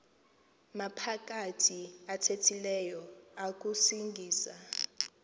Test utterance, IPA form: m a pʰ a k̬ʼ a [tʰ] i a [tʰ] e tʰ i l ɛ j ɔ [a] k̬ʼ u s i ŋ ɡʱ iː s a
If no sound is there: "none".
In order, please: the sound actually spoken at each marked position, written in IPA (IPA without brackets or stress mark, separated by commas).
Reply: tʰ, tʰ, a